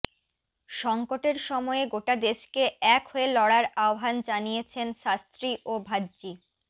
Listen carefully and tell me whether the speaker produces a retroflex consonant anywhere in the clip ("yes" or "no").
yes